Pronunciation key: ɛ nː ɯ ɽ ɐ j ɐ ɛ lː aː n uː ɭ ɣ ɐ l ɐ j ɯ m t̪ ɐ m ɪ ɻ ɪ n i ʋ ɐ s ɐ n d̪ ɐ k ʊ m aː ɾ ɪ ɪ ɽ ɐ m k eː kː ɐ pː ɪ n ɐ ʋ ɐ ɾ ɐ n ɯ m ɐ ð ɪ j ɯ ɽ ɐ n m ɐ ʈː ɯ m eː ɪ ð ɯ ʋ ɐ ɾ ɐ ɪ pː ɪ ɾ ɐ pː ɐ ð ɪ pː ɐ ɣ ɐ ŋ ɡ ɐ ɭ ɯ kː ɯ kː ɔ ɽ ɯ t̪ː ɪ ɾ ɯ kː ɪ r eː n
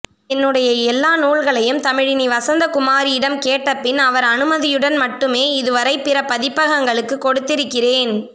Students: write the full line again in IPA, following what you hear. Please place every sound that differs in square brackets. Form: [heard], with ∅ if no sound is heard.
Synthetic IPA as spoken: ɛ nː ɯ ɽ ɐ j ɐ ɛ lː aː n uː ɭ ɣ ɐ [ɭ] ɐ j ɯ m t̪ ɐ m ɪ ɻ ɪ n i ʋ ɐ s ɐ n d̪ ɐ k ʊ m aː ɾ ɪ ɪ ɽ ɐ m k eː [ʈː] ɐ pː ɪ n ɐ ʋ ɐ ɾ ɐ n ɯ m ɐ ð ɪ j ɯ ɽ ɐ n m ɐ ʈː ɯ m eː ɪ ð ɯ ʋ ɐ ɾ ɐ ɪ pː ɪ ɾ ɐ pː ɐ ð ɪ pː ɐ ɣ ɐ ŋ ɡ ɐ ɭ ɯ kː ɯ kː ɔ ɽ ɯ t̪ː ɪ ɾ ɯ kː ɪ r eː n